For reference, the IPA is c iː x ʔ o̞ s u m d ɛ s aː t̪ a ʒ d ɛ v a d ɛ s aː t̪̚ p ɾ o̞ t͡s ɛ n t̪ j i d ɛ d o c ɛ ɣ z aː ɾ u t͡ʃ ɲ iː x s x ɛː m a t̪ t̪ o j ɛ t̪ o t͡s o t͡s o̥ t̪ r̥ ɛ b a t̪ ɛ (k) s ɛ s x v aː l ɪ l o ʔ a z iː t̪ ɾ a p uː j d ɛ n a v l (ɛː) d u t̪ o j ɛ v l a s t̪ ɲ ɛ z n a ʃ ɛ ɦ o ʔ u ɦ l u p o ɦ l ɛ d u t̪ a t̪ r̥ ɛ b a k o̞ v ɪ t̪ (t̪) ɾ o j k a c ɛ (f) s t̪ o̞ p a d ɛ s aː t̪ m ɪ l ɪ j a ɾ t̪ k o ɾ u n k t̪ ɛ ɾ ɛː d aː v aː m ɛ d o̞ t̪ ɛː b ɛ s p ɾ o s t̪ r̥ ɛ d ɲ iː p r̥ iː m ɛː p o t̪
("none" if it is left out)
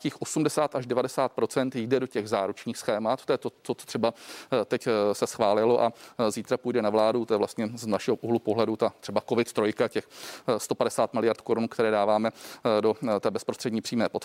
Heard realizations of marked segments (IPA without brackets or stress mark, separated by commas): c, aː, t̪, x